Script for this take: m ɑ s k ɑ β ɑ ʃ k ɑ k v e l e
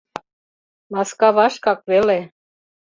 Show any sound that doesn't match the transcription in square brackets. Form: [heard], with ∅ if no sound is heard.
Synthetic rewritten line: m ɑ s k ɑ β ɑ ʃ k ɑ k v e l e